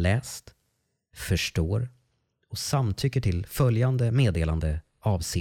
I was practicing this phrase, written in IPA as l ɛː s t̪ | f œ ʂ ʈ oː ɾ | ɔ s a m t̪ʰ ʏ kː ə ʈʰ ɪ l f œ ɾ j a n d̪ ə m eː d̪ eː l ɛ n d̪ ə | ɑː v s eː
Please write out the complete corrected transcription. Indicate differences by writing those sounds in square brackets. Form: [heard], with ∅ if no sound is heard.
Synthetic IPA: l ɛː s t̪ | f œ ʂ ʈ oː ɾ | ɔ s a m t̪ʰ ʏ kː ə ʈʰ ɪ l f œ [l] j a n d̪ ə m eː d̪ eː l [a] n d̪ ə | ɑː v s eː